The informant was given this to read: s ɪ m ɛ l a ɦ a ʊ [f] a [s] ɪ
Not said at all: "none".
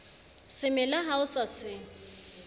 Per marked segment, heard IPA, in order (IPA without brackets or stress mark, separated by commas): s, s